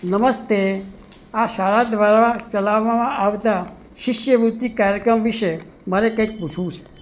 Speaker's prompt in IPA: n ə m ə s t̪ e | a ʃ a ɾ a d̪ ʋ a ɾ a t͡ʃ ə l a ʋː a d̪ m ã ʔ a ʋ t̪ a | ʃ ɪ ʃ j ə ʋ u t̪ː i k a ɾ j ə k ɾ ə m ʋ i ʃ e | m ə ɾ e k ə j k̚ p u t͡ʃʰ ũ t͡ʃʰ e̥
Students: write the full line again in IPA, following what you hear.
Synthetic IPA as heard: n ə m ə s t̪ e | a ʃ a ɾ a d̪ ʋ a ɾ a t͡ʃ ə l a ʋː a m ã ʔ a ʋ t̪ a | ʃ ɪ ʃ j ə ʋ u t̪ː i k a ɾ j ə k ɾ ə m ʋ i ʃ e | m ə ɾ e k ə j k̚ p u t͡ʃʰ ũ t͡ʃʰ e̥